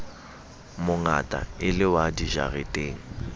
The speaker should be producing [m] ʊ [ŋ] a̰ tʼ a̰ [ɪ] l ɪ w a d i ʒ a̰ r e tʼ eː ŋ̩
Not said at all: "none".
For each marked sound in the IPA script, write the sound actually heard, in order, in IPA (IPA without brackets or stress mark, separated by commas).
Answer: m, ŋ, ɪ